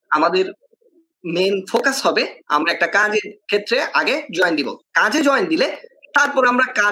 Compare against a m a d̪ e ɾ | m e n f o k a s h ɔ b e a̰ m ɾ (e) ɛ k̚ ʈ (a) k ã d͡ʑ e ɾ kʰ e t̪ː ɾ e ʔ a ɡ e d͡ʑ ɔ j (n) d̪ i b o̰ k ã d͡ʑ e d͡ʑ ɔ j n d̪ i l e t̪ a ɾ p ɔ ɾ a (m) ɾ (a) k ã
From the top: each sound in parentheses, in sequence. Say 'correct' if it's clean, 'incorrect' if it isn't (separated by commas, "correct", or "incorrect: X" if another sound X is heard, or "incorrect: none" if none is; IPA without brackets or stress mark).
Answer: incorrect: a, correct, correct, correct, correct